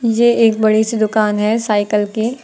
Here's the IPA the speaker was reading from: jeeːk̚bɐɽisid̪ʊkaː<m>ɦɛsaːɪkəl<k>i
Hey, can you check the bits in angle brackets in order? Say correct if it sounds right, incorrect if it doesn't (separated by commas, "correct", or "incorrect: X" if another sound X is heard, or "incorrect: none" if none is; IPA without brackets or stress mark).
incorrect: n, correct